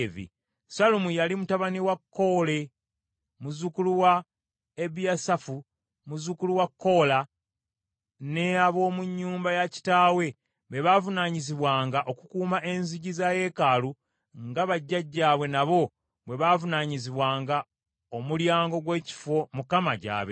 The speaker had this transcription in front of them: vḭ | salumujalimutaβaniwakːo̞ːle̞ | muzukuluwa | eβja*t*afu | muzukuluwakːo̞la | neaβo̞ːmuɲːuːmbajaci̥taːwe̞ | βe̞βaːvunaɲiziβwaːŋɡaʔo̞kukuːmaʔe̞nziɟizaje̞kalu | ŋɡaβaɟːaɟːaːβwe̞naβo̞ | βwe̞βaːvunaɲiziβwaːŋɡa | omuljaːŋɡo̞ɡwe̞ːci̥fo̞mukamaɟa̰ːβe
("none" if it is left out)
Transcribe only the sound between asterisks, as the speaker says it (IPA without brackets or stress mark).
s